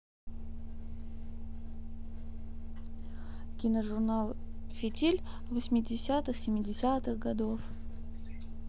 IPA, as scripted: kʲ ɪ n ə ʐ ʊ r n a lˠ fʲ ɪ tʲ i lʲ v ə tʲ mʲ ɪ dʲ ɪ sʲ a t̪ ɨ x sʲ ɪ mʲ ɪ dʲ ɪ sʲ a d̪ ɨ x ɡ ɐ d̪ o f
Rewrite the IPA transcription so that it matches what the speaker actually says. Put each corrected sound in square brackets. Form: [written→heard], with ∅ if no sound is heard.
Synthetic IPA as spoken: kʲ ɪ n ə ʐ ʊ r n a lˠ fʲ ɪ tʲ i lʲ v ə [tʲ→sʲ] mʲ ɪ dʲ ɪ sʲ a t̪ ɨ x sʲ ɪ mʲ ɪ dʲ ɪ sʲ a [d̪→t̪] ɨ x ɡ ɐ d̪ o f